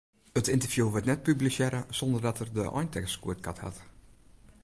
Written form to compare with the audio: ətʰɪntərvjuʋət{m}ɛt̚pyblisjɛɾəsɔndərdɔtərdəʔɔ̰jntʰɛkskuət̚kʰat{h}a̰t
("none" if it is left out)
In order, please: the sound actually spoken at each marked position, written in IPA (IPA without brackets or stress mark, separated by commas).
n, h